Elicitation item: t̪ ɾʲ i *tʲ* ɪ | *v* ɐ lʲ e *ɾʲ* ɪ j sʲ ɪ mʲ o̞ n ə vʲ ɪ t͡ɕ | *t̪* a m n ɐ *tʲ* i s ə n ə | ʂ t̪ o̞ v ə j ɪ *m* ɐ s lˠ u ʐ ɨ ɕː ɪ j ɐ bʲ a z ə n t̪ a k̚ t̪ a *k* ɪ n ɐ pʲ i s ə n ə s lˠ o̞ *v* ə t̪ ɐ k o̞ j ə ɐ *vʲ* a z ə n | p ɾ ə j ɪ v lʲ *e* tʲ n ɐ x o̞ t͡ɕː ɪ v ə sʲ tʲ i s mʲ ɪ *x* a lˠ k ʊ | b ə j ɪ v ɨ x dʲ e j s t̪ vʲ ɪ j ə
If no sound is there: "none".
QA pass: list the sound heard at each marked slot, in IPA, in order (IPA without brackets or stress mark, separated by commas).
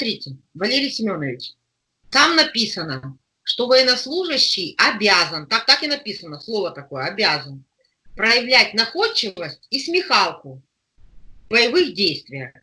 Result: tʲ, v, ɾʲ, t̪, pʲ, n, k, v, bʲ, æ, x